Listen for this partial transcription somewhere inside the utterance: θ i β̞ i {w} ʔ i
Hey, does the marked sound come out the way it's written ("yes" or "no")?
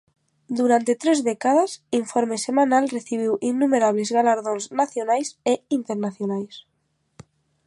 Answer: yes